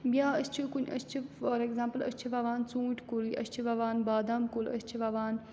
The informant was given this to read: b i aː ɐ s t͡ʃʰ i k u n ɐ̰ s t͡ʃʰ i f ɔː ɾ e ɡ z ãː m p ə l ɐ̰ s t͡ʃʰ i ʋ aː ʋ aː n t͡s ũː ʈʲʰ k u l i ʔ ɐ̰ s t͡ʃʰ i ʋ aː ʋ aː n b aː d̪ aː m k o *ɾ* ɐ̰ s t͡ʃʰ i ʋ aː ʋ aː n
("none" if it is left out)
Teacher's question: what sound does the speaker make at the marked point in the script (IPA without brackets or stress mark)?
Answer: l